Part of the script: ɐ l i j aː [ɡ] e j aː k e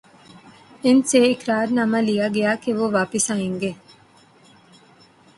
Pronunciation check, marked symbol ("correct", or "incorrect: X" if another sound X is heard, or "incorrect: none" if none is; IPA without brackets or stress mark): correct